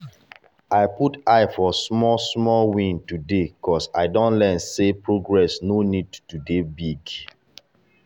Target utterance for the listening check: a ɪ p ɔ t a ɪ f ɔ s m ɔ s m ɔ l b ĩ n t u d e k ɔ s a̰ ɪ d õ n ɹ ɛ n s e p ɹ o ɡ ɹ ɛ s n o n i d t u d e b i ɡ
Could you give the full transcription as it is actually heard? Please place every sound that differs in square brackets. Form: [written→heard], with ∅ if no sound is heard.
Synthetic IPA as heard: a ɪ p [ɔ→u] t a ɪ f ɔ s m ɔ s m ɔ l [b→w] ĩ n t u d e k ɔ s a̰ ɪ d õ n [ɹ→l] ɛ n s e p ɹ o ɡ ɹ ɛ s n o n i d t u d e b i ɡ